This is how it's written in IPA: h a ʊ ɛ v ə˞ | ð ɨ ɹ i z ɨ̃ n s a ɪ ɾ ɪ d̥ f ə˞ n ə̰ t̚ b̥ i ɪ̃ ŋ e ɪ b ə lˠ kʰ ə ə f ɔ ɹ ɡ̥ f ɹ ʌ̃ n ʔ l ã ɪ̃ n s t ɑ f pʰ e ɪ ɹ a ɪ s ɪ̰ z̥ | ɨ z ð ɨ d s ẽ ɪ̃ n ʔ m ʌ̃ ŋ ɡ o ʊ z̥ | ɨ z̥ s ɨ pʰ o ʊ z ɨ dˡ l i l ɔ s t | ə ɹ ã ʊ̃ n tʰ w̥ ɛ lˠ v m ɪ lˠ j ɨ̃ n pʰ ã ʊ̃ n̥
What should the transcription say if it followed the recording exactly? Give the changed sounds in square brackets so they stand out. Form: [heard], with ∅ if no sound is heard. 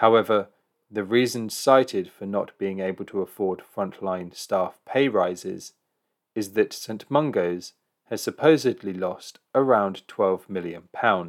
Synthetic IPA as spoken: h a ʊ ɛ v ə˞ | ð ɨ ɹ i z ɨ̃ n s a ɪ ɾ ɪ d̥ f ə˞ n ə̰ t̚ b̥ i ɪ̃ ŋ e ɪ b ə lˠ [tʰ] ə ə f ɔ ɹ [d̥] f ɹ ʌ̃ n ʔ l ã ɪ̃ n s t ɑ f pʰ e ɪ ɹ a ɪ [z] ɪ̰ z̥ | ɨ z ð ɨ [t] s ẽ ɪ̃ n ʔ m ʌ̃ ŋ ɡ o ʊ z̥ | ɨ z̥ s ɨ pʰ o ʊ z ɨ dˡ l i l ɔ s t | ə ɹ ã ʊ̃ n tʰ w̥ ɛ lˠ v m ɪ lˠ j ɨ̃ n pʰ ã ʊ̃ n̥